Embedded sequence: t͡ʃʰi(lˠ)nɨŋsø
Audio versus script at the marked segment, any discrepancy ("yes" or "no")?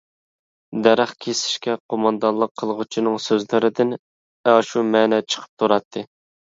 yes